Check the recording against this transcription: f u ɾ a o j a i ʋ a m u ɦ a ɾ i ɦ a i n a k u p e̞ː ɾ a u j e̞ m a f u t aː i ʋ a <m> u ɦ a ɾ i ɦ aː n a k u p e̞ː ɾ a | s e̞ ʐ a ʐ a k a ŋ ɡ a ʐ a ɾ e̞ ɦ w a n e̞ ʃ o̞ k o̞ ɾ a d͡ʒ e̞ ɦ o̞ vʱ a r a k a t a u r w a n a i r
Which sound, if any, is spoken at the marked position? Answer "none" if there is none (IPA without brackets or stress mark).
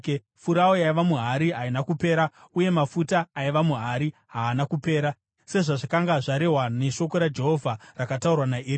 m